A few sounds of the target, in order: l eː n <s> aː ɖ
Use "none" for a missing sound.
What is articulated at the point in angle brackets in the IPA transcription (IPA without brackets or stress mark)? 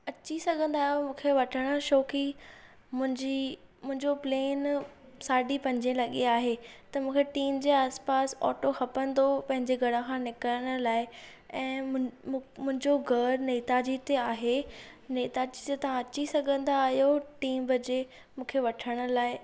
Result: s